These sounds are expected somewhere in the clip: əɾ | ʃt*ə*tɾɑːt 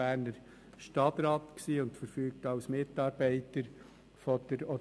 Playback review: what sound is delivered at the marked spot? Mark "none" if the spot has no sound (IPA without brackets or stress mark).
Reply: ɑ